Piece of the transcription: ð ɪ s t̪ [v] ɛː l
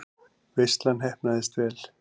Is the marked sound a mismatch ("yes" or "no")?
no